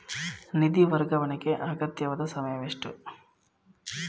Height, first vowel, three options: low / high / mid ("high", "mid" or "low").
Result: high